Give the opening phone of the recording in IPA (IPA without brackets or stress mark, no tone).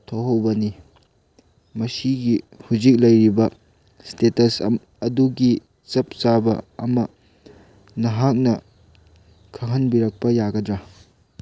tʰ